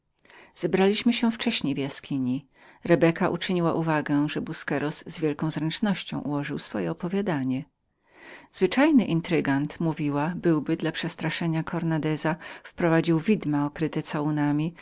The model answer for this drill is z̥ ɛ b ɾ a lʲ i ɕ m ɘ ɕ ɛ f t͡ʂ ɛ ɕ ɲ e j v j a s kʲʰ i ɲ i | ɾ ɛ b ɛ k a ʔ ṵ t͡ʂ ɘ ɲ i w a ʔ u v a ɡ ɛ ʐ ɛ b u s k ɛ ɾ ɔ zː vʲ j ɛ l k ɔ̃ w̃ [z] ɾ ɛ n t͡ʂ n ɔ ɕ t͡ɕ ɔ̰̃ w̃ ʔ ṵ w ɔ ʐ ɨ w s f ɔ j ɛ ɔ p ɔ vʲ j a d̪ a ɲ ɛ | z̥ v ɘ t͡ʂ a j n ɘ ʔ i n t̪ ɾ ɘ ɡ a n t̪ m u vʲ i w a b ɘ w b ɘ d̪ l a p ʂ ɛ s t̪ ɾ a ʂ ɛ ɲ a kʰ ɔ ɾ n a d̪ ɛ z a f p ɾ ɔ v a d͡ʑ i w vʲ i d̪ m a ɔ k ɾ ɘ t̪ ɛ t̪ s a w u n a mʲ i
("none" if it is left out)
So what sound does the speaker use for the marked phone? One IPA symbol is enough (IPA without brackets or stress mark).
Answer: z